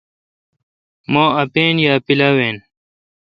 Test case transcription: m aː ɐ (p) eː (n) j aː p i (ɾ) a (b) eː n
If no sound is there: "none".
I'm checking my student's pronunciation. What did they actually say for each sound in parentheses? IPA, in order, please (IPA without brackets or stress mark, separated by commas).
p, n, l, w